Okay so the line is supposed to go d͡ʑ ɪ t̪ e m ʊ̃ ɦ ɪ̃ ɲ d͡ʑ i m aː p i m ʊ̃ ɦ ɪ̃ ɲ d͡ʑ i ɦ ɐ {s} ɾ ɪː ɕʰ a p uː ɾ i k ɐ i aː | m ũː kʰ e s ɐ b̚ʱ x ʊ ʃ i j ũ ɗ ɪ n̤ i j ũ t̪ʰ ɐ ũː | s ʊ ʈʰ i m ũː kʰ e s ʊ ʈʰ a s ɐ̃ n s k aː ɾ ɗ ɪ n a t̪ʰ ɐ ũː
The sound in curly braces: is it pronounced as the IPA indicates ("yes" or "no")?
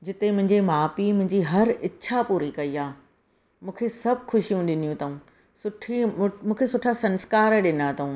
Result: no